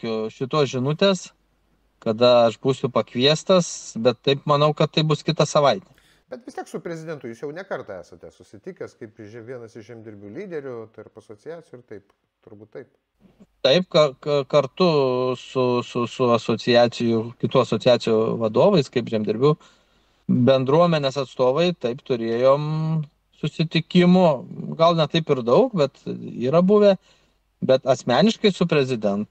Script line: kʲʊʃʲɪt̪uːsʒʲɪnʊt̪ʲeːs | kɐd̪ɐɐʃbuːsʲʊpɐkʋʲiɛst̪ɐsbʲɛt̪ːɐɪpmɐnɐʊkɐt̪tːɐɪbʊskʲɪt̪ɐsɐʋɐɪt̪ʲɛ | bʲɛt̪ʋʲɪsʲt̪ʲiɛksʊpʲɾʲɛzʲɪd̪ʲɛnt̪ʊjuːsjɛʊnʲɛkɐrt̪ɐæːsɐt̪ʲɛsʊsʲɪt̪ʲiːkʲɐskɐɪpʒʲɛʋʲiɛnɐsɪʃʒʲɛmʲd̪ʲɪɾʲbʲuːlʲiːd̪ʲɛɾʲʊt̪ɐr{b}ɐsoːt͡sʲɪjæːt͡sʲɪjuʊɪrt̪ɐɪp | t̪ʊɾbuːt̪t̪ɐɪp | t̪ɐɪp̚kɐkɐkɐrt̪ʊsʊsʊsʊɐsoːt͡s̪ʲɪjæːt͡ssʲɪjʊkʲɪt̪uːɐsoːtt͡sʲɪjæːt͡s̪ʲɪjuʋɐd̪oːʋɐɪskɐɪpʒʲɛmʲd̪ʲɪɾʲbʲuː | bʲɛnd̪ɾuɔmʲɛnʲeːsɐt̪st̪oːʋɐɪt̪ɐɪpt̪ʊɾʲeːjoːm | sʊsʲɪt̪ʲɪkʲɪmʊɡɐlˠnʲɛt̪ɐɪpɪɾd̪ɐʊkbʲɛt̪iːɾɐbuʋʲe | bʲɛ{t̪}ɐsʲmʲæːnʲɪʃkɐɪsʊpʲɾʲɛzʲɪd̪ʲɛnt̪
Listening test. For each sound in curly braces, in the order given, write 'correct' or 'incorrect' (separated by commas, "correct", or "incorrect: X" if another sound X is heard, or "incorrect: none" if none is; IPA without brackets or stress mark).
incorrect: p, correct